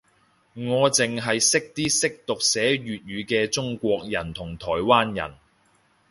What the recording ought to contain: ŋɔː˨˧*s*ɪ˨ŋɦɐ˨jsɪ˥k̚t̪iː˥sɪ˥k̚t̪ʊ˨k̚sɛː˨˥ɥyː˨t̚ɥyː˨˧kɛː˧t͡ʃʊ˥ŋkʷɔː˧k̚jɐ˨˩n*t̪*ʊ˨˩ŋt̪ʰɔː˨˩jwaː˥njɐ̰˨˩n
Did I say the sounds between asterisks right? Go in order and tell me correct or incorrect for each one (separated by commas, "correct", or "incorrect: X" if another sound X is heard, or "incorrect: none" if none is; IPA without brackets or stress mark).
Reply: incorrect: t͡s, incorrect: t̪ʰ